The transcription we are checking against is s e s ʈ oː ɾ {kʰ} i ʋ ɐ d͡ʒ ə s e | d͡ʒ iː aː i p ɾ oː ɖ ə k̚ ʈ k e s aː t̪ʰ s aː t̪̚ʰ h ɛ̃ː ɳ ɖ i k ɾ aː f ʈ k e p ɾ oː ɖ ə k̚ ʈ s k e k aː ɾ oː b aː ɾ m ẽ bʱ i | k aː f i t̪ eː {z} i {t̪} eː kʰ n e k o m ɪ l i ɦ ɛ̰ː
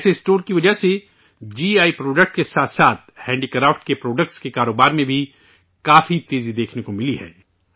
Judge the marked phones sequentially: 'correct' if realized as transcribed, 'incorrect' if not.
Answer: incorrect: k, correct, incorrect: d̪

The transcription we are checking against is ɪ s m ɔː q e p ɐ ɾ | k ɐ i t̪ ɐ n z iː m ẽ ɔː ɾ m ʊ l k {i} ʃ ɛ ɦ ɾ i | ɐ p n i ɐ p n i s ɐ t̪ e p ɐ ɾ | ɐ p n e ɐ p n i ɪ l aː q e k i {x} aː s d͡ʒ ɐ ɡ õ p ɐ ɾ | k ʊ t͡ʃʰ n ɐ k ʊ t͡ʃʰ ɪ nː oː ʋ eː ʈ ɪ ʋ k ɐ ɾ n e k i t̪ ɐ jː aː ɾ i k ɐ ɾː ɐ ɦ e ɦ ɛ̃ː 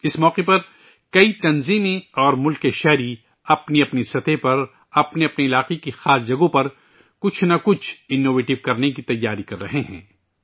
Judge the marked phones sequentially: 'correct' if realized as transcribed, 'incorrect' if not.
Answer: incorrect: e, correct

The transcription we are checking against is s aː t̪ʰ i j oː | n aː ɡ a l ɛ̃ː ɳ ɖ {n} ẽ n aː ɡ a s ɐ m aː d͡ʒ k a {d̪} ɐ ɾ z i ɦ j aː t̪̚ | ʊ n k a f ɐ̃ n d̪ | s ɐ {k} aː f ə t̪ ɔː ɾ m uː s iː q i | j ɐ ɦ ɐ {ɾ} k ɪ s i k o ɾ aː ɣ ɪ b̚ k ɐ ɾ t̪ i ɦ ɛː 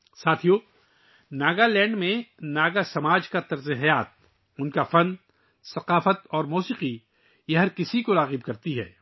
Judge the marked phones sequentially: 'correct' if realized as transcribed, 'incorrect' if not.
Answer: incorrect: m, incorrect: t̪, incorrect: q, correct

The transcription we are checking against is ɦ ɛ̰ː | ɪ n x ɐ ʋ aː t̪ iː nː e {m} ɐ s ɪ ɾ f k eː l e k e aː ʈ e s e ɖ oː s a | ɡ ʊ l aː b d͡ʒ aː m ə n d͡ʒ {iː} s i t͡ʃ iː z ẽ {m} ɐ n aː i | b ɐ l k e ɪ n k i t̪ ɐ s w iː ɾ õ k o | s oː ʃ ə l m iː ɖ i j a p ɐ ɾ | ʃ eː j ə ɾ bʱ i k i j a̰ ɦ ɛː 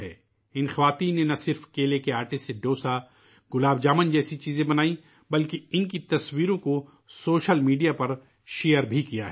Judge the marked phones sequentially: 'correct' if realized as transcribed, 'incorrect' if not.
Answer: incorrect: n, incorrect: ɛː, incorrect: b

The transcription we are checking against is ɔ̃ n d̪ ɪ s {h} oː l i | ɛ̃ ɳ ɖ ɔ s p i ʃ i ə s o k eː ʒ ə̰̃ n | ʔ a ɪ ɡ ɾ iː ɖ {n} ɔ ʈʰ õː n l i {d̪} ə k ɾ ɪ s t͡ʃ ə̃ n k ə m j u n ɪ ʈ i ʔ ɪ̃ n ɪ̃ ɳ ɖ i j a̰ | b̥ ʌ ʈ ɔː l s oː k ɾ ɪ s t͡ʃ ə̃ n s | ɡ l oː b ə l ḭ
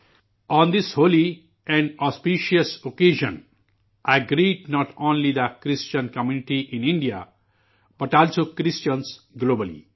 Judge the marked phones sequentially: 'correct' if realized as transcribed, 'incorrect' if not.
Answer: correct, correct, correct

